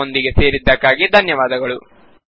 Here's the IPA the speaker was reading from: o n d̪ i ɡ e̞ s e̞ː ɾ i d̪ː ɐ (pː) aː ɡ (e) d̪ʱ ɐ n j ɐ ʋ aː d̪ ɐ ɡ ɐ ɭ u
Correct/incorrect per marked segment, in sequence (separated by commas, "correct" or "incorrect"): incorrect, incorrect